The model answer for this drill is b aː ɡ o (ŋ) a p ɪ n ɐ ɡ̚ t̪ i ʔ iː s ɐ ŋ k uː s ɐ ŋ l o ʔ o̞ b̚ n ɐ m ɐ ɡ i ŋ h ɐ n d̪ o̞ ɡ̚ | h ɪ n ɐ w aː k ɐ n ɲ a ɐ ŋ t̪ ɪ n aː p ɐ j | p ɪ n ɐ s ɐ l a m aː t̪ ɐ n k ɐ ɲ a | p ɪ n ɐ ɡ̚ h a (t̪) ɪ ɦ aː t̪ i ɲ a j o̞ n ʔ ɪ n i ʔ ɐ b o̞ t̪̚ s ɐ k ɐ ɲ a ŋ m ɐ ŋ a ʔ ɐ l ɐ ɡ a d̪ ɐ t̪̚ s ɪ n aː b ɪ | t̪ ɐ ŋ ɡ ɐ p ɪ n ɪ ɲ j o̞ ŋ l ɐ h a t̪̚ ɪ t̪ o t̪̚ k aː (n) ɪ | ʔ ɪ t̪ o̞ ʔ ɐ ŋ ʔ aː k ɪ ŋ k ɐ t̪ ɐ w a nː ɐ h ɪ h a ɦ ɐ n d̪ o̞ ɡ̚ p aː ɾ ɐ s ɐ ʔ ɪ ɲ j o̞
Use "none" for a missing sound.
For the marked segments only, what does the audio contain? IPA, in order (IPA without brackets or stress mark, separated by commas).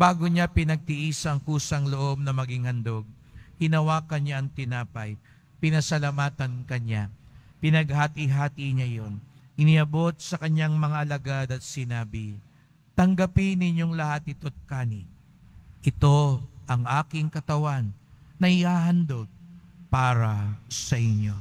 ɲ, t̪, n